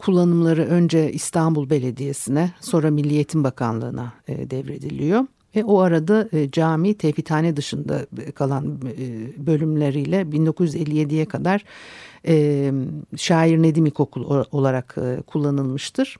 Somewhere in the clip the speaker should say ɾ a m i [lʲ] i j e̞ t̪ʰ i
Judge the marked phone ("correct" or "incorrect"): incorrect